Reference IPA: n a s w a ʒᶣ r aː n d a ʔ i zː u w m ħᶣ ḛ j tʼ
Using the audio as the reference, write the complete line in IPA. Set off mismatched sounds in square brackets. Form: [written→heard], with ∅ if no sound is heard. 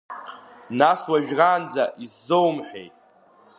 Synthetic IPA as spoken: n a s w a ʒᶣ r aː n [d→d͡z] a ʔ i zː [u→o] w m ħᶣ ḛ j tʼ